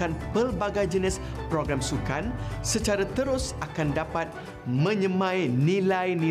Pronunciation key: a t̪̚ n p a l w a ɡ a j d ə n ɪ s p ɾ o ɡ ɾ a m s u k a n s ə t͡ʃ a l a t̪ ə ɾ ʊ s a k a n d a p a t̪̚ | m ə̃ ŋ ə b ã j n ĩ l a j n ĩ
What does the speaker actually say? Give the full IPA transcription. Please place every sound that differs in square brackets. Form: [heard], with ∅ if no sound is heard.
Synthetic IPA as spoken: a [∅] n p [ə] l [b] a ɡ a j [d͡ʒ] ə n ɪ s p ɾ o ɡ ɾ a m s u k a n s ə t͡ʃ a [ɾ] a t̪ ə ɾ ʊ s a k a n d a p a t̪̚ | m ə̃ [ɲ] ə [m] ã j n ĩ l a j n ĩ